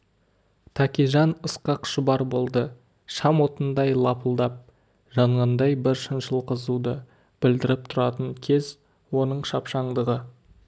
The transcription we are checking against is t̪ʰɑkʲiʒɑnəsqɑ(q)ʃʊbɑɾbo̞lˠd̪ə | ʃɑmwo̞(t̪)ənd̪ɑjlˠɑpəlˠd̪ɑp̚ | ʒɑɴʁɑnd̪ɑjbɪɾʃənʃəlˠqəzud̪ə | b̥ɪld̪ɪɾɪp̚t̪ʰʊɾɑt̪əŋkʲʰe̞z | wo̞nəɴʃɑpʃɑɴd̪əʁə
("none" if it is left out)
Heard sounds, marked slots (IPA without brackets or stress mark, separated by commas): q, t̪